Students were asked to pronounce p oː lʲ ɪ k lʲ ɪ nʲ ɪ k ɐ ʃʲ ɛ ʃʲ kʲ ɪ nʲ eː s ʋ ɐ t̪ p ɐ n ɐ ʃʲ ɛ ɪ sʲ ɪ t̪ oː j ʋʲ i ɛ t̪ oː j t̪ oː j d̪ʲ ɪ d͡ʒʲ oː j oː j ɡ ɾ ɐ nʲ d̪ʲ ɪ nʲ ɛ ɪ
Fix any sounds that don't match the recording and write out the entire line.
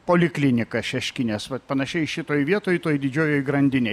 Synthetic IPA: p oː lʲ ɪ k lʲ ɪ nʲ ɪ k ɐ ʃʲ ɛ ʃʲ kʲ ɪ nʲ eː s ʋ ɐ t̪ p ɐ n ɐ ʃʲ ɛ ɪ ʃʲ ɪ t̪ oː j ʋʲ i ɛ t̪ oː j t̪ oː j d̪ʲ ɪ d͡ʒʲ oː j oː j ɡ ɾ ɐ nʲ d̪ʲ ɪ nʲ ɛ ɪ

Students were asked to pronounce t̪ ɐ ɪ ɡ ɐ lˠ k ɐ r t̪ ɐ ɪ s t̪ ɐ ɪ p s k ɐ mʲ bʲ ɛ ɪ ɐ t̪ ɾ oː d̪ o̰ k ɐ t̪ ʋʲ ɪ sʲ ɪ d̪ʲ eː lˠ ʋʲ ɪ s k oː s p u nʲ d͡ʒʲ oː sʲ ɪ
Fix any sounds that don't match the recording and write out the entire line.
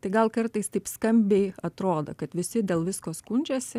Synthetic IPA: t̪ ɐ ɪ ɡ ɐ lˠ k ɐ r t̪ ɐ ɪ s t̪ ɐ ɪ p s k ɐ mʲ bʲ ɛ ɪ ɐ t̪ ɾ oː d̪ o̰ k ɐ t̪ ʋʲ ɪ sʲ ɪ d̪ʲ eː lˠ ʋʲ ɪ s k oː s k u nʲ d͡ʒʲ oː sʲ ɪ

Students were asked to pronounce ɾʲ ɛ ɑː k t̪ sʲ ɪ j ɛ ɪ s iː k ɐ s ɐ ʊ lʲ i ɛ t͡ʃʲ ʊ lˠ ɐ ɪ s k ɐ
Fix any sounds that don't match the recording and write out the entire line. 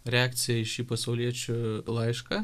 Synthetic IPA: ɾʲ ɛ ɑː k t̪ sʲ ɪ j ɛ ɪ ʃ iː p ɐ s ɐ ʊ lʲ i ɛ t͡ʃʲ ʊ lˠ ɐ ɪ ʃ k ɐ

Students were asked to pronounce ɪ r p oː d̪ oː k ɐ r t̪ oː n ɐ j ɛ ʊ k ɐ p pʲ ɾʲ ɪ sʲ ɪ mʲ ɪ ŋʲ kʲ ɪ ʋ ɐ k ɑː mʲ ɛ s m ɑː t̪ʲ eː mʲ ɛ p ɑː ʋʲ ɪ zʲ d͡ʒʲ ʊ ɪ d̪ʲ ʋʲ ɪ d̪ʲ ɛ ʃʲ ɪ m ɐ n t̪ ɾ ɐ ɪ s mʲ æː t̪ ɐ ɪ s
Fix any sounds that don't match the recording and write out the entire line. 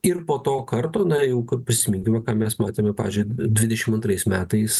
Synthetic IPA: ɪ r p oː t̪ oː k ɐ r t̪ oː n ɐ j ɛ ʊ k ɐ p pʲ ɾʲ ɪ sʲ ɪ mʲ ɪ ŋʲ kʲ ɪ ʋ ɐ k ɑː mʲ ɛ s m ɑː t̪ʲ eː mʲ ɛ p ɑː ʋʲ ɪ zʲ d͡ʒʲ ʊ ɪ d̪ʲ ʋʲ ɪ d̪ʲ ɛ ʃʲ ɪ m ɐ n t̪ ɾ ɐ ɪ s mʲ æː t̪ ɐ ɪ s

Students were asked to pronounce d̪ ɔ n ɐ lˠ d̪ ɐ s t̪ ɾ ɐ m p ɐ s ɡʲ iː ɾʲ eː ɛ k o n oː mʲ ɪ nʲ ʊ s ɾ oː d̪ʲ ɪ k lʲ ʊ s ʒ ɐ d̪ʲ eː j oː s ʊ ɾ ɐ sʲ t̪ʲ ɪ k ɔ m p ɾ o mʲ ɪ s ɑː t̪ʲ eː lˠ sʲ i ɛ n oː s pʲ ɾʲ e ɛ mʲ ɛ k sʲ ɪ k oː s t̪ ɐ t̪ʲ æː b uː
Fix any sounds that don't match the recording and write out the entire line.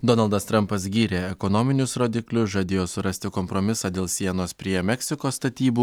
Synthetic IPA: d̪ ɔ n ɐ lˠ d̪ ɐ s t̪ ɾ ɐ m p ɐ s ɡʲ iː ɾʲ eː ɛ k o n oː mʲ ɪ nʲ ʊ s ɾ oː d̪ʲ ɪ k lʲ ʊ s ʒ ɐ d̪ʲ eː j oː s ʊ ɾ ɐ sʲ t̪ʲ ɪ k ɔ m p ɾ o mʲ ɪ s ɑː d̪ʲ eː lˠ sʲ i ɛ n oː s pʲ ɾʲ i ɛ mʲ ɛ k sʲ ɪ k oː s t̪ ɐ t̪ʲ iː b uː

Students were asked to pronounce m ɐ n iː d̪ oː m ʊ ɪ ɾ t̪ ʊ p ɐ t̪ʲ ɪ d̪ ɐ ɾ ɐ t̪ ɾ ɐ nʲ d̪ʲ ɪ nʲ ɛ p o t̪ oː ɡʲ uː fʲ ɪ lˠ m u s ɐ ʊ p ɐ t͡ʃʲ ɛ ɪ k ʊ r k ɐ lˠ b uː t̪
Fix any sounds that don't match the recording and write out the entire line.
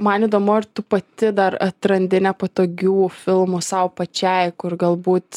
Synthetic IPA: m ɐ n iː d̪ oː m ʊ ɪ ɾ t̪ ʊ p ɐ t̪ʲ ɪ d̪ ɐ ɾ ɐ t̪ ɾ ɐ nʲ d̪ʲ ɪ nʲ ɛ p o t̪ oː ɡʲ uː fʲ ɪ lˠ m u s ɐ ʊ p ɐ t͡ʃʲ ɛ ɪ k ʊ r ɡ ɐ lˠ b uː t̪

